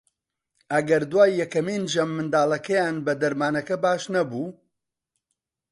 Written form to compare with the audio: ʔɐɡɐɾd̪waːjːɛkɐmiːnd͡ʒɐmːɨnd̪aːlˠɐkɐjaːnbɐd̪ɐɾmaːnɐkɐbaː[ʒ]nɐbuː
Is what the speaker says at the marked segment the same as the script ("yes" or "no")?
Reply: no